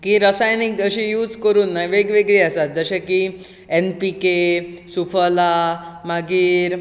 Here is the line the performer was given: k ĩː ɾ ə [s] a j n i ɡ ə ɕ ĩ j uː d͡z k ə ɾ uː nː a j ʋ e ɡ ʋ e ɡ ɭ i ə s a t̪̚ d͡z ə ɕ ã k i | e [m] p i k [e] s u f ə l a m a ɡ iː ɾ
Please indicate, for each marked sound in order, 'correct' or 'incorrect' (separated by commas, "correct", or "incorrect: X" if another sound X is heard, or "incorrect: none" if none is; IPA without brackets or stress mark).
correct, incorrect: n, correct